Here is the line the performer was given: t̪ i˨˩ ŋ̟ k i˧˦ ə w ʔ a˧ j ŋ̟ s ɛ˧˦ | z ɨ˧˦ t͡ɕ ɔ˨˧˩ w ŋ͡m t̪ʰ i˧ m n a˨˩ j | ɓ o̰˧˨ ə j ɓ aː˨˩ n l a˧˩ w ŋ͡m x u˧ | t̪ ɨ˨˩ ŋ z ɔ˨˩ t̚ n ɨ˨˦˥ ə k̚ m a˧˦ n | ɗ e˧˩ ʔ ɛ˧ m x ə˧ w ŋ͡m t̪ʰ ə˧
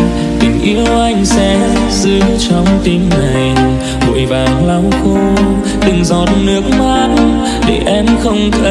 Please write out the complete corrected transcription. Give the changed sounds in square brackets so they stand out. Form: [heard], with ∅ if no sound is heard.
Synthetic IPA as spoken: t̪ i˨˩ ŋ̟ [ʔ] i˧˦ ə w ʔ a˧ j ŋ̟ s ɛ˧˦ | z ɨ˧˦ t͡ɕ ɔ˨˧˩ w ŋ͡m [t̪] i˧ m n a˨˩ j | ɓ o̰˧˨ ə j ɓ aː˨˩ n l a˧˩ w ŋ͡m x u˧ | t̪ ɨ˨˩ ŋ z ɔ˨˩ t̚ n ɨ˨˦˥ ə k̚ m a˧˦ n | ɗ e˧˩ ʔ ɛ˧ m x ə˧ w ŋ͡m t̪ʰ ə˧